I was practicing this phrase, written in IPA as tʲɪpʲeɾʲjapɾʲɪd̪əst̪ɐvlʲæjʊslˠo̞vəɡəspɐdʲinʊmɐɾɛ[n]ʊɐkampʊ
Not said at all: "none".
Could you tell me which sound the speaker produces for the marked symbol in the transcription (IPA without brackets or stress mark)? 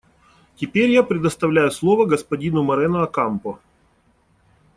n